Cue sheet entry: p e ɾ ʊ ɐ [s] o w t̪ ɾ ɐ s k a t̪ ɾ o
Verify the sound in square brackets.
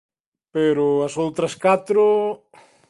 correct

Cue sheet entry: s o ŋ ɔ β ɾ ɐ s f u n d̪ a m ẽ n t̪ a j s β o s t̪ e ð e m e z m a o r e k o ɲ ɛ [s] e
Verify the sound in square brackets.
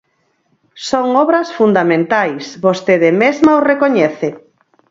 incorrect: θ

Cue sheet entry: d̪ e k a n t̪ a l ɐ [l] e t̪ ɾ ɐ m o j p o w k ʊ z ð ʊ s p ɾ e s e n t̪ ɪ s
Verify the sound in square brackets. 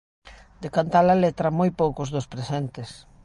correct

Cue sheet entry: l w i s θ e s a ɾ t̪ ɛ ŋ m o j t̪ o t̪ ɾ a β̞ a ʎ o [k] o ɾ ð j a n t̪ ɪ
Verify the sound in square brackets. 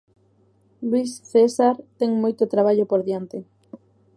incorrect: p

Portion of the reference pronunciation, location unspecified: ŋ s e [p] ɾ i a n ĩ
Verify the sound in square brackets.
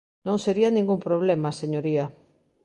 incorrect: none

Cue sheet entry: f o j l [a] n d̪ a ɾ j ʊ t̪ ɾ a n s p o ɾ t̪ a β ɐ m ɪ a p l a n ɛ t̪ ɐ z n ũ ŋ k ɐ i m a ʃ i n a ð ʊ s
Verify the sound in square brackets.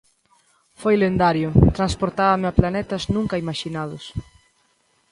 incorrect: e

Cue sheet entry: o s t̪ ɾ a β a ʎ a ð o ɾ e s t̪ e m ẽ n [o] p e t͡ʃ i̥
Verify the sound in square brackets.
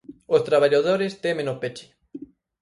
correct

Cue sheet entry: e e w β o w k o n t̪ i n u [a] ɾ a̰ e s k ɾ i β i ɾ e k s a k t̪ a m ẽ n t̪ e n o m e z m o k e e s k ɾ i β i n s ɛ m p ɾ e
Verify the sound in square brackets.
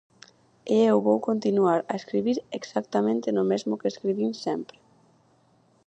correct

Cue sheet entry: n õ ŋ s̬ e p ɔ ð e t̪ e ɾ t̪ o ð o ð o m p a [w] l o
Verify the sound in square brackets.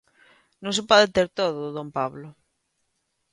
incorrect: β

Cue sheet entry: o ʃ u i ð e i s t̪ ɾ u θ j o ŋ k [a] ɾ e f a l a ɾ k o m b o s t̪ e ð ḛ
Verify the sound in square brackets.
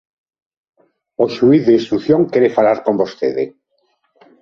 incorrect: e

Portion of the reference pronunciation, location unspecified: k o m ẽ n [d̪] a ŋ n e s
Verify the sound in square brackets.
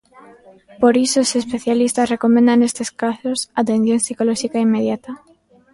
correct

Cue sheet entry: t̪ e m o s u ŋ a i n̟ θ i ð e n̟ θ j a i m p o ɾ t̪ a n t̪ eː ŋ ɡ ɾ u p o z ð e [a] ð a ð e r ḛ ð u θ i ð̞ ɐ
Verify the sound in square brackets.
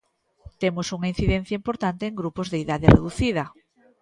incorrect: i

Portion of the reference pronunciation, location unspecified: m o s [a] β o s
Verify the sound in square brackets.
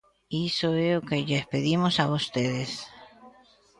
correct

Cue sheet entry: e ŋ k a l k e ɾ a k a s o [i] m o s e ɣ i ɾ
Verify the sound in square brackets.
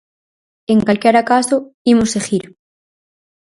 correct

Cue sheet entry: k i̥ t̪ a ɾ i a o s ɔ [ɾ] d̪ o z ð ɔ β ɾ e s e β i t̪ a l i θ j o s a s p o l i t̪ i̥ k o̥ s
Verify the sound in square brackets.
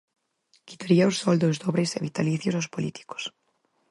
incorrect: l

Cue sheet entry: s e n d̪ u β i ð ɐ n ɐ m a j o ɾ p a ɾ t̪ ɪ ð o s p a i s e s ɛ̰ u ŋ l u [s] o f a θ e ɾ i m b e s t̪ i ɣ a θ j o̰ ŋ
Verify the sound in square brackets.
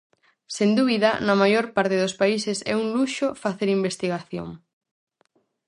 incorrect: ʃ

